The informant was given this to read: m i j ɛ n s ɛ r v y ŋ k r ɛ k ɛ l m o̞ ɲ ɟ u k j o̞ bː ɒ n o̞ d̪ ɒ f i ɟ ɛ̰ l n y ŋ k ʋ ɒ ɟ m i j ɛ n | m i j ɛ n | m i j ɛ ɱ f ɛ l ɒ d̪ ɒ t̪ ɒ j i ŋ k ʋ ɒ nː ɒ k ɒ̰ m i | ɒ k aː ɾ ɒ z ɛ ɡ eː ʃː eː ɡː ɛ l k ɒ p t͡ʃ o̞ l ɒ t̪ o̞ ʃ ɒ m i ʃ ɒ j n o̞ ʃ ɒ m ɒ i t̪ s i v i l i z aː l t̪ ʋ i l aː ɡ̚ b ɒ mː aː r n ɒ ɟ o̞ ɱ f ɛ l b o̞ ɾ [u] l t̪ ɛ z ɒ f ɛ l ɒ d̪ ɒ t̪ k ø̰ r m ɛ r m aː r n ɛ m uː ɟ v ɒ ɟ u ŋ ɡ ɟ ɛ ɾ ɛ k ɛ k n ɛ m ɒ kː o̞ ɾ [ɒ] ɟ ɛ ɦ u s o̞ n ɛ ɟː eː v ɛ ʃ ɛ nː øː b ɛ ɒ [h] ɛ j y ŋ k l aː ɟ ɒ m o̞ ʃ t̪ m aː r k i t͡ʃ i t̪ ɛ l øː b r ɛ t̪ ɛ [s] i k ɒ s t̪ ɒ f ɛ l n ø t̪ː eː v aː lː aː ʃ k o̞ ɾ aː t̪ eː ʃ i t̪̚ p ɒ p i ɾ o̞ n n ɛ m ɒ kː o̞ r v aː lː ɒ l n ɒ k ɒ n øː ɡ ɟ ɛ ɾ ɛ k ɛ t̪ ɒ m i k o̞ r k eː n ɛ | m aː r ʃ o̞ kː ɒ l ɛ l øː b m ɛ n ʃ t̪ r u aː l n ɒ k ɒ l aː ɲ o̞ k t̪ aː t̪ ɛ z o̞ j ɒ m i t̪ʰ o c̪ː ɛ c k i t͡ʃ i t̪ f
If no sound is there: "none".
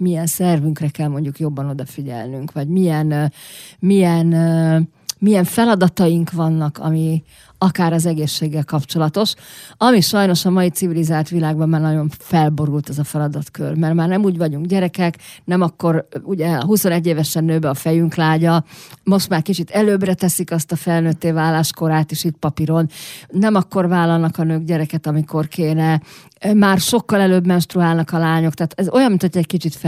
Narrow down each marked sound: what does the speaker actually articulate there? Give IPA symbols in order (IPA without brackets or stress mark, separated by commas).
u, u, f, s